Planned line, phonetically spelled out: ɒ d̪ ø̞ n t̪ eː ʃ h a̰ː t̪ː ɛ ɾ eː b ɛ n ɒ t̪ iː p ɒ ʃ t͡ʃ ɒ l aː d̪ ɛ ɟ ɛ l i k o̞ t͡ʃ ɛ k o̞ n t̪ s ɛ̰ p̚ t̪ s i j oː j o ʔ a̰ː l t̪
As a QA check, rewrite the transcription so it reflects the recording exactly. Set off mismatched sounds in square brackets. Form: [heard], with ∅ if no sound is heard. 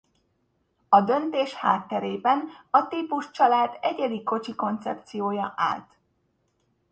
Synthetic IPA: ɒ d̪ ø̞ n t̪ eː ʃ h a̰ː t̪ː ɛ ɾ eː b ɛ n ɒ t̪ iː p [u] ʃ t͡ʃ ɒ l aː d̪ ɛ ɟ ɛ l i k o̞ t͡ʃ [i] k o̞ n t̪ s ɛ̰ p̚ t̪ s i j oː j [ɒ] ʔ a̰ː l t̪